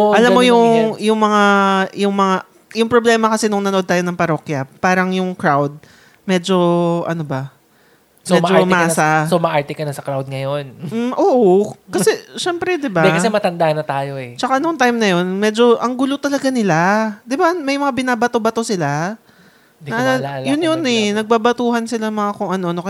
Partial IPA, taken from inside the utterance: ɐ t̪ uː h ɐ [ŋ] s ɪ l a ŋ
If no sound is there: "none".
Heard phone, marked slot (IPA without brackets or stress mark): n